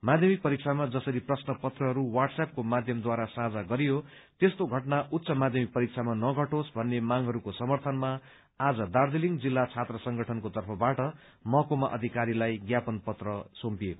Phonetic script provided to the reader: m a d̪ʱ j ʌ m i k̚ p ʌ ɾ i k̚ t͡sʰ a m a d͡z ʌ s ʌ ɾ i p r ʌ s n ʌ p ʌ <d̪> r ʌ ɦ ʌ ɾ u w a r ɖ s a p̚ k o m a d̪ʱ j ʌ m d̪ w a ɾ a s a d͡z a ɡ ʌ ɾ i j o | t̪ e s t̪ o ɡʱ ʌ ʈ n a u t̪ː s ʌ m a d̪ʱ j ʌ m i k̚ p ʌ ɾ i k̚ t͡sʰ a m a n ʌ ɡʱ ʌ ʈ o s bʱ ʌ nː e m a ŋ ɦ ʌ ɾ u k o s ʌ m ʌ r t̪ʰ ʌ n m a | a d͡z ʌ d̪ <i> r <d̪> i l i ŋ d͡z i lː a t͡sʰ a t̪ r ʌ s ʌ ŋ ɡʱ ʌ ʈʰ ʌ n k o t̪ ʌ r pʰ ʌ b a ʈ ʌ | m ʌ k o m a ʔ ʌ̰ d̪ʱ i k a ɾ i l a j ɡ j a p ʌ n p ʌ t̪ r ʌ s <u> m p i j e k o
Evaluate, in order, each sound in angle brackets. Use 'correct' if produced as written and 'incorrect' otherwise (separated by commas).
incorrect, incorrect, correct, incorrect